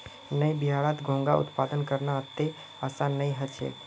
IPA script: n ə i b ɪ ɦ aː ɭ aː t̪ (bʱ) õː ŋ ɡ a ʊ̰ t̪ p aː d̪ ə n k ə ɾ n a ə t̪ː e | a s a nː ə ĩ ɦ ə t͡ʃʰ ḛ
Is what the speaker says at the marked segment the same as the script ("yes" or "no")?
no